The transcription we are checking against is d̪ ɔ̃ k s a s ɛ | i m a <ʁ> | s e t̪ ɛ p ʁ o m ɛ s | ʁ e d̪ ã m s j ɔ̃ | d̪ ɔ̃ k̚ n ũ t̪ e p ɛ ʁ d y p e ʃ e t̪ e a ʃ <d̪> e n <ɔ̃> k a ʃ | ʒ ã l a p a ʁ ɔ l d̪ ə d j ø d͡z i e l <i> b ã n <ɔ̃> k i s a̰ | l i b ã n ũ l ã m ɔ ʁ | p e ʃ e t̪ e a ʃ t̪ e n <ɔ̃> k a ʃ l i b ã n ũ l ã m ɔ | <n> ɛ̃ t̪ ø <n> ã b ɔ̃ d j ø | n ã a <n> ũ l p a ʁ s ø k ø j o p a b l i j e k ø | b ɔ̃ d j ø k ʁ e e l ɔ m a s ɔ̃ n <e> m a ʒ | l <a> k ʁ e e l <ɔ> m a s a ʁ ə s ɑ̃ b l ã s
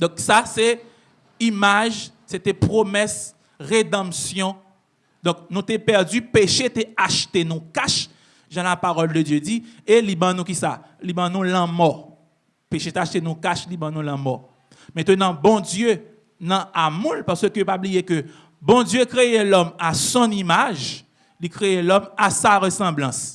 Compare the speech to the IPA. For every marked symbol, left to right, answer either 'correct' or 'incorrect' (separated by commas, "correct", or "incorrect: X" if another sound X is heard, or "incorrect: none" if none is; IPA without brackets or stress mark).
incorrect: ʒ, incorrect: t̪, incorrect: ũ, correct, incorrect: ũ, incorrect: ũ, incorrect: m, correct, incorrect: m, incorrect: i, incorrect: i, correct